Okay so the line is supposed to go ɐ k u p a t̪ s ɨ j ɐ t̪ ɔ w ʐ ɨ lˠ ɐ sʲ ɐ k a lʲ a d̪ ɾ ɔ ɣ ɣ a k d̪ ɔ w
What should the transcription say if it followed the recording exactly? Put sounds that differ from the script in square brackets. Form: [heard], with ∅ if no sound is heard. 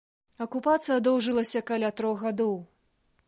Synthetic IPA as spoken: ɐ k u p a t̪ s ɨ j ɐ [d̪] ɔ w ʐ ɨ lˠ ɐ sʲ ɐ k a lʲ a [t̪] ɾ ɔ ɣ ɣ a [∅] d̪ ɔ w